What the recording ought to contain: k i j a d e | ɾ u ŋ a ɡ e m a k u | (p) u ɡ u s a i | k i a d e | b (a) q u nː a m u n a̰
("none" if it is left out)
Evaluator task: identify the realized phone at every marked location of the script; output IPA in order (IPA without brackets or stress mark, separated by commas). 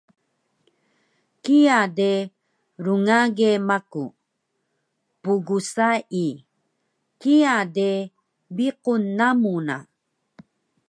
p, i